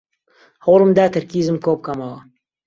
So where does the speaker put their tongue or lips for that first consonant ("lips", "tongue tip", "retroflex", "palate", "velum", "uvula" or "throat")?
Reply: throat